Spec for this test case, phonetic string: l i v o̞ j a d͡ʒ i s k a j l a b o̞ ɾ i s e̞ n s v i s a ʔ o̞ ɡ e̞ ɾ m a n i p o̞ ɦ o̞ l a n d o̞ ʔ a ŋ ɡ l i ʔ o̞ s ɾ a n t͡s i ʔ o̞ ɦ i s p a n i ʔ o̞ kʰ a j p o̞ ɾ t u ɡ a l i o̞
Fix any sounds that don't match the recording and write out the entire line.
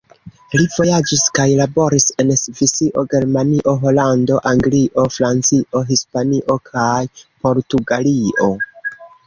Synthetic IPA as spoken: l i v o̞ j a d͡ʒ i s k a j l a b o̞ ɾ i s e̞ n s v i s i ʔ o̞ ɡ e̞ ɾ m a n i ʔ o̞ ɦ o̞ l a n d o̞ ʔ a ŋ ɡ l i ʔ o̞ f ɾ a n t͡s i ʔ o̞ ɦ i s p a n i ʔ o̞ kʰ a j p o̞ ɾ t u ɡ a l i o̞